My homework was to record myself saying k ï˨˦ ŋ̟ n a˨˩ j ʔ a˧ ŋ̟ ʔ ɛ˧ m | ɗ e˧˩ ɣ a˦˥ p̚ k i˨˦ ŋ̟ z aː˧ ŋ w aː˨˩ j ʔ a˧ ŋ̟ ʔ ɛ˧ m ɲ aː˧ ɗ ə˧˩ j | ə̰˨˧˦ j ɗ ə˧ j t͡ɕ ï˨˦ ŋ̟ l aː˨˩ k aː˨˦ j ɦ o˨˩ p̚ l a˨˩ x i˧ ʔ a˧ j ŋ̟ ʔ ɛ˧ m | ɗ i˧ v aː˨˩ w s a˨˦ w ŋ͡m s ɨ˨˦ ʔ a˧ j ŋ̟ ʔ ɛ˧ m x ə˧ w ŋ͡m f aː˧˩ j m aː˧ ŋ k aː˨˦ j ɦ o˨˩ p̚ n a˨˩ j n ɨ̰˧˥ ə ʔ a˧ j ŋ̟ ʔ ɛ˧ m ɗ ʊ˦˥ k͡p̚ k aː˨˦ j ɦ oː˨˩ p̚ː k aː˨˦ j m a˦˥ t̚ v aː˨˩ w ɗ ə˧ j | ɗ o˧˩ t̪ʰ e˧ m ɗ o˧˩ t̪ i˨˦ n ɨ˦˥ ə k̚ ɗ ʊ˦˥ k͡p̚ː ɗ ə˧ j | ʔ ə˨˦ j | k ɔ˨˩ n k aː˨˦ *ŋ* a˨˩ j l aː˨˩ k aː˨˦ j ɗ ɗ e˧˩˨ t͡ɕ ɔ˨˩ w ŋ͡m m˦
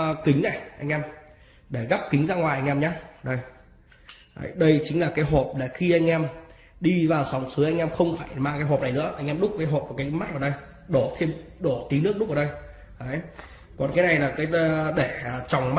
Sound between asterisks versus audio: incorrect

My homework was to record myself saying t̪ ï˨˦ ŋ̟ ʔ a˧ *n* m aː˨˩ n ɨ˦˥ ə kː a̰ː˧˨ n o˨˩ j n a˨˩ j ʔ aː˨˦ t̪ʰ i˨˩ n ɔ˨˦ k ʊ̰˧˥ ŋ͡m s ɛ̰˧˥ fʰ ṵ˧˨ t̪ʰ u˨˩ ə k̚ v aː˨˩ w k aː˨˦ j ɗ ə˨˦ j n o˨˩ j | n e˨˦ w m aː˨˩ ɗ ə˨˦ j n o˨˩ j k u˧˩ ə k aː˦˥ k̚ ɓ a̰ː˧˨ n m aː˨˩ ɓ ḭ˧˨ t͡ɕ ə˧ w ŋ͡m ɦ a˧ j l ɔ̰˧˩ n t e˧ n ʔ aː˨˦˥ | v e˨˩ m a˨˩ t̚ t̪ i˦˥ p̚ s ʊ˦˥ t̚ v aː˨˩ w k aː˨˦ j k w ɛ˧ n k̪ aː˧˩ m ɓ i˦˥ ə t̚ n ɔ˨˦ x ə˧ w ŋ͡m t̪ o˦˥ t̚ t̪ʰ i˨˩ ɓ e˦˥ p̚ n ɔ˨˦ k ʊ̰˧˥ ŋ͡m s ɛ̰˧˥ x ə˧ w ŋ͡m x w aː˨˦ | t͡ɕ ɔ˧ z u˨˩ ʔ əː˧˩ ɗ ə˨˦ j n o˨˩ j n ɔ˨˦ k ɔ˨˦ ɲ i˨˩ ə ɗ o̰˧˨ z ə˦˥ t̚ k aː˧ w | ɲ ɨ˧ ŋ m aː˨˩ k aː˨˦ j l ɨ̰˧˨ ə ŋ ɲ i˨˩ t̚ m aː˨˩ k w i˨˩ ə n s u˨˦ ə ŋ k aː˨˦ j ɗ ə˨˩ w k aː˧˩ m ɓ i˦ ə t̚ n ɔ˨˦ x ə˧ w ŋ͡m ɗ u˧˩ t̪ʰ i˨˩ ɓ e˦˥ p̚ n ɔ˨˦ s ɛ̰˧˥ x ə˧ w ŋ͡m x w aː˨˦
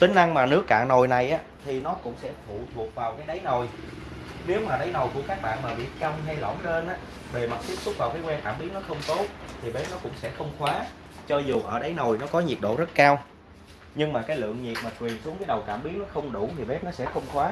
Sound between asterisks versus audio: incorrect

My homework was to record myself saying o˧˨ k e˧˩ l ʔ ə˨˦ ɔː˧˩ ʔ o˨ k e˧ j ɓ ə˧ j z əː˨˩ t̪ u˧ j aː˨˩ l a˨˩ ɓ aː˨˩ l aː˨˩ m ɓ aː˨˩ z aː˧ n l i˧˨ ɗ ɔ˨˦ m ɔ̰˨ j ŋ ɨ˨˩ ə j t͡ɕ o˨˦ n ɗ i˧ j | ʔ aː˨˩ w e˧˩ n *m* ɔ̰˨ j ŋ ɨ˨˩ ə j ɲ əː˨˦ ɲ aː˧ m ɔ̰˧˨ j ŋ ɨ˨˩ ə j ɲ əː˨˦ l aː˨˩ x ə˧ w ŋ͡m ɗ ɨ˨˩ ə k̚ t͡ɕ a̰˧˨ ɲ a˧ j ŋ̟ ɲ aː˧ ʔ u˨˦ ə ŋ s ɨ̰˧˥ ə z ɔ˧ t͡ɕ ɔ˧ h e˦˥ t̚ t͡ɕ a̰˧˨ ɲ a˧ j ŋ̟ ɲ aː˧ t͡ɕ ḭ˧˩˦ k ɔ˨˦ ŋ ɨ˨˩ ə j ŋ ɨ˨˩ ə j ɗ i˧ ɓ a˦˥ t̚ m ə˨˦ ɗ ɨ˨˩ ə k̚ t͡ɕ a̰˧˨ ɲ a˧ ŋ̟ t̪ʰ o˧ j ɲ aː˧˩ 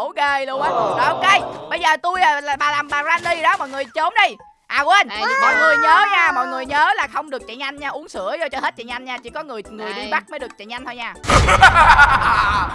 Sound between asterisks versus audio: correct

